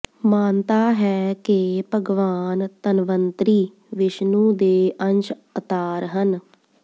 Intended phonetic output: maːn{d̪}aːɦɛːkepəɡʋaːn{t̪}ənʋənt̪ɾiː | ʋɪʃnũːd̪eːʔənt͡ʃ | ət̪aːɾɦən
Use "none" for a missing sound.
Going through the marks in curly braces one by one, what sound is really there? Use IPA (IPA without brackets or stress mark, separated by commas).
t̪, t̪